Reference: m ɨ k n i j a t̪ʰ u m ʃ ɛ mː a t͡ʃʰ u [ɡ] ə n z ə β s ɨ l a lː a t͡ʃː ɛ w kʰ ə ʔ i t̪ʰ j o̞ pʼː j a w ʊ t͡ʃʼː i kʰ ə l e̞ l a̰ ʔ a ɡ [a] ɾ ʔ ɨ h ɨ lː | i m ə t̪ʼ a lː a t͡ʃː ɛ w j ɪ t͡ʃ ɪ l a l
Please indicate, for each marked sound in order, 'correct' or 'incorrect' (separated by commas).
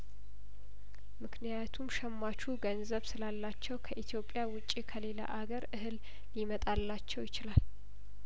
correct, incorrect